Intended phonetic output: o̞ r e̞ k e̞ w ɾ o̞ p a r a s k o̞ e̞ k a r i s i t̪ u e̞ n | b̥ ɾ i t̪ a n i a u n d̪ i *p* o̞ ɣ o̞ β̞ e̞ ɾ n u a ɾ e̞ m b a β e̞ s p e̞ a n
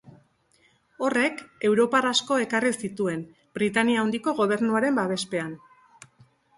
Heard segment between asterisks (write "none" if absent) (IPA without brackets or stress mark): k